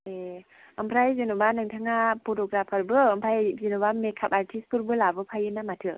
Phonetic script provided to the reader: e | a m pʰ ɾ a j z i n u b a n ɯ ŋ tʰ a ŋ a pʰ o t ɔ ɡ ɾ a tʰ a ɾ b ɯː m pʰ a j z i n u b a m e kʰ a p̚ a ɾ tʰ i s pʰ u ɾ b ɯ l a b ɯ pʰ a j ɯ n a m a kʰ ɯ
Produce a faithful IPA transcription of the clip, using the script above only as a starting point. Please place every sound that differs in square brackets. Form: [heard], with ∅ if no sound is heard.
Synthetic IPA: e | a m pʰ ɾ a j z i n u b a n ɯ ŋ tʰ a ŋ a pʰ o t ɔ ɡ ɾ a [pʰ] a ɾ b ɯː m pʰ a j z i n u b a m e kʰ a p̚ a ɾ tʰ i s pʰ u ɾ b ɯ l a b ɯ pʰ a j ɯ n a m a [tʰ] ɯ